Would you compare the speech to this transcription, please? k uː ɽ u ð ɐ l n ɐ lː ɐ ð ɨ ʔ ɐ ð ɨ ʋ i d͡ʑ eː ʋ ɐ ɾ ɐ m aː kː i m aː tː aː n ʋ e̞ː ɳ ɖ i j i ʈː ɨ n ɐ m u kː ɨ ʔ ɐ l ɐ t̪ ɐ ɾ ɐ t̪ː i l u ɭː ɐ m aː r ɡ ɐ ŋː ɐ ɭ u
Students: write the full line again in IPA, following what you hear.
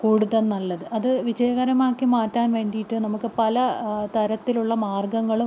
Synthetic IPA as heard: k uː ɽ u ð ɐ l n ɐ lː ɐ ð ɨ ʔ ɐ ð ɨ ʋ i d͡ʑ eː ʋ ɐ ɾ ɐ m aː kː i m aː tː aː n ʋ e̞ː ɳ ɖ i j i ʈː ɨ n ɐ m u kː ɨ p ɐ l ɐ t̪ ɐ ɾ ɐ t̪ː i l u ɭː ɐ m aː r ɡ ɐ ŋː ɐ ɭ u